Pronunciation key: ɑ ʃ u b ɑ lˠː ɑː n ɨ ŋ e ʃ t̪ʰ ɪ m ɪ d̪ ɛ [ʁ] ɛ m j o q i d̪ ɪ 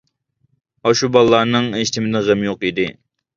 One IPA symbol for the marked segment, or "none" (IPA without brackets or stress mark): ʁ